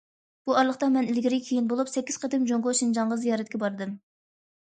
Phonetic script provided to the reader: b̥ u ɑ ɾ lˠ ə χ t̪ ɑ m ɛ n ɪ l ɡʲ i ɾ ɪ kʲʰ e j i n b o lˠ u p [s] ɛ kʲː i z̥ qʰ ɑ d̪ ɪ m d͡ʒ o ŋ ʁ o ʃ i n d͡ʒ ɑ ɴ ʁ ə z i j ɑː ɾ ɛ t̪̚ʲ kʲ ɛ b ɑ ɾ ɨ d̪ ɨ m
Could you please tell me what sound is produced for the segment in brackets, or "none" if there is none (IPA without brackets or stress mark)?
s